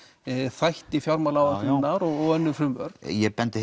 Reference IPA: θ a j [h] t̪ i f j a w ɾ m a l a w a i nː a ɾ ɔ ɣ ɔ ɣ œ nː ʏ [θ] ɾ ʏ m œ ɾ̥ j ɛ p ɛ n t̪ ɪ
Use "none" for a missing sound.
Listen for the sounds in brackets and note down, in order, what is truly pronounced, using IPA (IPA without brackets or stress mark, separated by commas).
h, f